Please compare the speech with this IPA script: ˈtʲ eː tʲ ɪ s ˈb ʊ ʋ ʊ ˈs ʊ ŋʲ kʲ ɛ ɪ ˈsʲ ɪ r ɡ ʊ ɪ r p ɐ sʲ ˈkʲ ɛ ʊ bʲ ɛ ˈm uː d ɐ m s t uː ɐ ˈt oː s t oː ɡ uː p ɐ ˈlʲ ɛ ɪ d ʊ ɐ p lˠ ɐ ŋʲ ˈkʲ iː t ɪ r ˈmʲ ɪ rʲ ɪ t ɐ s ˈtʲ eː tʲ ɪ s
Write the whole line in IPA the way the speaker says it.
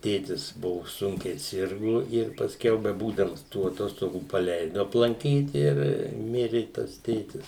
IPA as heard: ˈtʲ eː tʲ ɪ s ˈb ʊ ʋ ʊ ˈs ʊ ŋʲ kʲ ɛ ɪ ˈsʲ ɪ r ɡ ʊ ɪ r p ɐ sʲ ˈkʲ ɛ ʊ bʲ ɛ ˈb uː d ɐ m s t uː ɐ ˈt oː s t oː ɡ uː p ɐ ˈlʲ ɛ ɪ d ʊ ɐ p lˠ ɐ ŋʲ ˈkʲ iː t ɪ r ˈmʲ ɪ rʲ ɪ t ɐ s ˈtʲ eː tʲ ɪ s